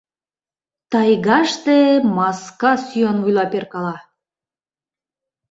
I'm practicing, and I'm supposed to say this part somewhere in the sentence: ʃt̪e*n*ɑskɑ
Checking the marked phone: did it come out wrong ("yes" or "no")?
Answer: yes